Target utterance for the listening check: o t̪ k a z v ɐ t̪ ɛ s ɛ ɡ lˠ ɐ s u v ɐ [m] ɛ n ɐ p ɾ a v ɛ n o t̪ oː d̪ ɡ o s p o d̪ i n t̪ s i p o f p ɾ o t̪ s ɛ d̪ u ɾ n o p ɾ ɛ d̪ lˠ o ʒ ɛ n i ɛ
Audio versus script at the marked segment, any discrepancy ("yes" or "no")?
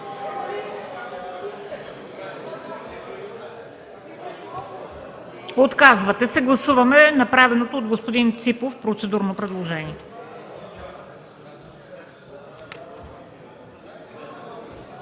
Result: no